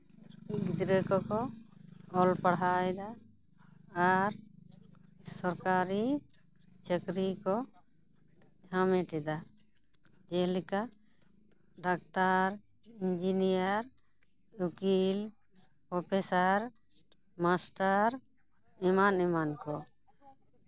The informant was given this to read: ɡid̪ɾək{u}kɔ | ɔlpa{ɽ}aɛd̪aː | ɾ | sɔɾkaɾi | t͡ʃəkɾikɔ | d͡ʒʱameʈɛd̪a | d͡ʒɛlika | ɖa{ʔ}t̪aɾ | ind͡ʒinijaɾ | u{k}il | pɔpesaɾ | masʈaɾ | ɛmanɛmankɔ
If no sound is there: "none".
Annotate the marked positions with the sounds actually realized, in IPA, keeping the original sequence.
ɔ, ɽ, k, k

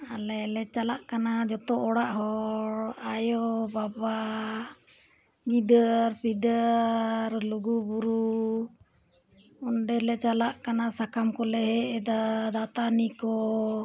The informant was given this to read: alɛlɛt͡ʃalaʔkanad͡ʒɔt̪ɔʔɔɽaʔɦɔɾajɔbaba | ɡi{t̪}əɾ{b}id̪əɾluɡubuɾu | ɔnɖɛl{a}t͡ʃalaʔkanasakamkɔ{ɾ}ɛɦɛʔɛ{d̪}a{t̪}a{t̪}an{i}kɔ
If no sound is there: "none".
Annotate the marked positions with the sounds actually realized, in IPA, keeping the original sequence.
d̪, p, ɛ, l, d̪, d̪, t̪, i

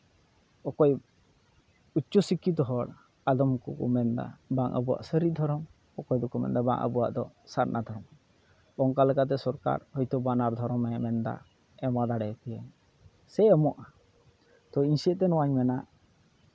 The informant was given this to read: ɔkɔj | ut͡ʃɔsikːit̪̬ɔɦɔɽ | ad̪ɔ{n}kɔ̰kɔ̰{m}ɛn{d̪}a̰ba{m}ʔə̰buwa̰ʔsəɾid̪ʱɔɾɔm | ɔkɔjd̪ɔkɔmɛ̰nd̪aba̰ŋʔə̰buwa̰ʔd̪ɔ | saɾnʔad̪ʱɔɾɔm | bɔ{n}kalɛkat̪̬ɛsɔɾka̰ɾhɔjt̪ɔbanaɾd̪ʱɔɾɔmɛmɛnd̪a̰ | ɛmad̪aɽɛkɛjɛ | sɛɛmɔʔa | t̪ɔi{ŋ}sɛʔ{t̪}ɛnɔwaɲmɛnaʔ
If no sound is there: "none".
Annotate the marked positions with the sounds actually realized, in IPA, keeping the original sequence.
m, m, d̪, ŋ, ŋ, ɲ, t̪

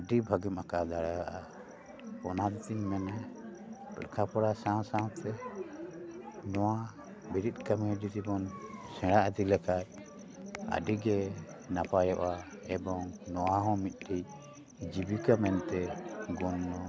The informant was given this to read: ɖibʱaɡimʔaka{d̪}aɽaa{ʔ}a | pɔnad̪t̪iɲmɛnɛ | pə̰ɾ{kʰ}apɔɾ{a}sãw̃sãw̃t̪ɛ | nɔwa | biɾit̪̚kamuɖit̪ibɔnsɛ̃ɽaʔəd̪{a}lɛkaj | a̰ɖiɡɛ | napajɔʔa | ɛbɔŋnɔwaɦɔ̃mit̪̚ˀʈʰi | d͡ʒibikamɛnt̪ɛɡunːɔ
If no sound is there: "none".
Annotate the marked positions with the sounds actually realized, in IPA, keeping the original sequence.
d̪, ʔ, kʰ, a, i

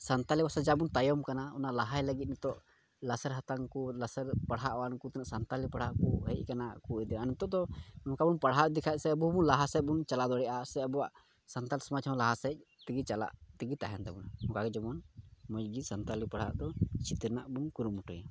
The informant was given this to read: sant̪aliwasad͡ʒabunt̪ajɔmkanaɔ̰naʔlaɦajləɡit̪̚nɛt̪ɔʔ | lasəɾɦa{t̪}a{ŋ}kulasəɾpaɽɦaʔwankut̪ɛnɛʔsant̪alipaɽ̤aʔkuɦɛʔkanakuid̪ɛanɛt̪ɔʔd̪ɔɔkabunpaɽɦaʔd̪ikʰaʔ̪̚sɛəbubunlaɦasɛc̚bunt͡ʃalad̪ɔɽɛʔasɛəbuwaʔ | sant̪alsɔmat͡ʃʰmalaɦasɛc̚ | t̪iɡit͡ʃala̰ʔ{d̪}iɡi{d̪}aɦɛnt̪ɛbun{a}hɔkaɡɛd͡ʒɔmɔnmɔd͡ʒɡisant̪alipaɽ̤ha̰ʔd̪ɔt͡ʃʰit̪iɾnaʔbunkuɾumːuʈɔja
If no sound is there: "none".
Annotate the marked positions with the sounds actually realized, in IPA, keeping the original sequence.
t̪, ŋ, t̪, t̪, a

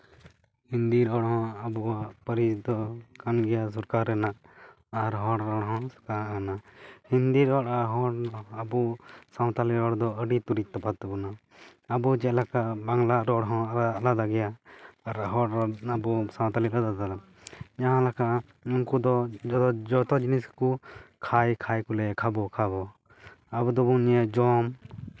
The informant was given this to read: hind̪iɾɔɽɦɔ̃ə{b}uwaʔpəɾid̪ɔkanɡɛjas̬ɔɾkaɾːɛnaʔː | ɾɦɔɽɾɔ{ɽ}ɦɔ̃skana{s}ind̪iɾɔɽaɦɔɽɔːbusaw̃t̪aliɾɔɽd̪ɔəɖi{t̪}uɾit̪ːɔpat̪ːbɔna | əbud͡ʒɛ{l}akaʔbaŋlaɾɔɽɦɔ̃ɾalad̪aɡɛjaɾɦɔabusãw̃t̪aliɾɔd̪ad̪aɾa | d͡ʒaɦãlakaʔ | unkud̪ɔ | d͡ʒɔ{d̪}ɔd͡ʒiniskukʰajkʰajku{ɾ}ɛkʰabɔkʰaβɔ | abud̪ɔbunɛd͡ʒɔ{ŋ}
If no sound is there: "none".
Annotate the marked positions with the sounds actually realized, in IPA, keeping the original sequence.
b, ɽ, h, t̪, l, t̪, l, m

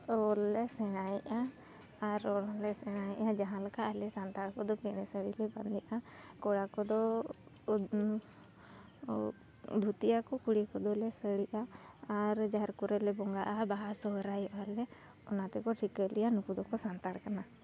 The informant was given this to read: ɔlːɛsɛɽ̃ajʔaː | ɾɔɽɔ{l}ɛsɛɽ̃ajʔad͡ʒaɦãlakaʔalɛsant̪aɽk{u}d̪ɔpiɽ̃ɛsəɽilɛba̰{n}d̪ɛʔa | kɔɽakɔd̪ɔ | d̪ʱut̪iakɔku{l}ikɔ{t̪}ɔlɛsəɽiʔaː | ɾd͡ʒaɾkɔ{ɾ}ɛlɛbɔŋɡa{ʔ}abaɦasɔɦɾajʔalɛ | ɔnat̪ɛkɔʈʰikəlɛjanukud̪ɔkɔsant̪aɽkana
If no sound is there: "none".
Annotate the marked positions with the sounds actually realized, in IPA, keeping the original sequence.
l, ɔ, n, ɽ, d̪, ɾ, ʔ

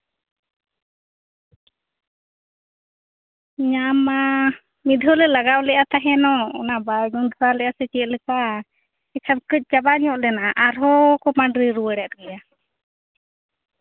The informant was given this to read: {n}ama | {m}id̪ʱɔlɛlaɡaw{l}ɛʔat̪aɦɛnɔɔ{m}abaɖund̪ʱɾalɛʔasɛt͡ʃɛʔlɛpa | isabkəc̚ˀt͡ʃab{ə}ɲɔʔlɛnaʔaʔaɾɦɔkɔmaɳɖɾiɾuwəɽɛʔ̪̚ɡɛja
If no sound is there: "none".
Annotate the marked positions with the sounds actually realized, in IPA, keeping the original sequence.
ɲ, m, l, n, a

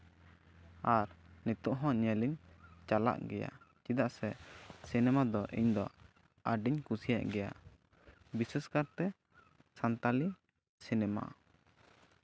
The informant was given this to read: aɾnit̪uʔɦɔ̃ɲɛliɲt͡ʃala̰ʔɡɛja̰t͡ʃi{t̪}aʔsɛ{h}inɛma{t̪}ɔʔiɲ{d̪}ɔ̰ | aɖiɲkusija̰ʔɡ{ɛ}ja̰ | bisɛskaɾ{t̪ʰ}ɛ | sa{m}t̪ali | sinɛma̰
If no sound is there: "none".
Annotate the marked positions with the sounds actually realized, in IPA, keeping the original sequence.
d̪, s, d̪, d̪, ɛ, t̪, n

